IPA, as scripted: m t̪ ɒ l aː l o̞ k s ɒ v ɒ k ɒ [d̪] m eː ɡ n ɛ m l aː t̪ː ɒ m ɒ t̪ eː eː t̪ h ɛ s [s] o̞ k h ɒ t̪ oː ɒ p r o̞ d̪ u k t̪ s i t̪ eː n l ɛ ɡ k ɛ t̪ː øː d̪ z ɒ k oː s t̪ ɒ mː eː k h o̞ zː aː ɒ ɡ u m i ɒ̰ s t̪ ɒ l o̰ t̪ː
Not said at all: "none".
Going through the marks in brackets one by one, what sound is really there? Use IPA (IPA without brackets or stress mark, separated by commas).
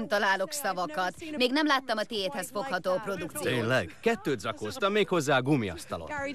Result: t̪, f